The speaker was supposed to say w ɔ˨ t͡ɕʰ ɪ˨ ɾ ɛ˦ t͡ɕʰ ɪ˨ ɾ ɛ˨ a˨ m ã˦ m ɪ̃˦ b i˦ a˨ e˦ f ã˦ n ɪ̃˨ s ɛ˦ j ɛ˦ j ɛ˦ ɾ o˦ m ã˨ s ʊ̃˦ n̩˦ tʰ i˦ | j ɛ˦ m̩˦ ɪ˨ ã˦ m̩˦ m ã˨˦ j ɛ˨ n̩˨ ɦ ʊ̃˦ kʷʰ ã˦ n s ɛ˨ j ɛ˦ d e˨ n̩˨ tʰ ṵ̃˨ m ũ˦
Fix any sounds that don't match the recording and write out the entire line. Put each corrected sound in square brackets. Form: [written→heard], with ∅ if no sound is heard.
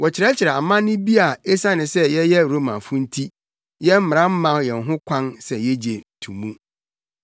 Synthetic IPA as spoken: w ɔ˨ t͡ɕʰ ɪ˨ ɾ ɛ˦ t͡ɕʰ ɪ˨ ɾ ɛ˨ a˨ m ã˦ [m→n] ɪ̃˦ b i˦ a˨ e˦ [f→s] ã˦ n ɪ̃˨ s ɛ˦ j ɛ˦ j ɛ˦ ɾ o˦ m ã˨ [s→f] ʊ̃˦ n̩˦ tʰ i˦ | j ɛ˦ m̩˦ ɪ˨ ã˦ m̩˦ m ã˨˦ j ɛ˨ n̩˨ ɦ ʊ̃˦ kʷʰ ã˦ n s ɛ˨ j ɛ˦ [d→d͡ʑ] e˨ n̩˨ tʰ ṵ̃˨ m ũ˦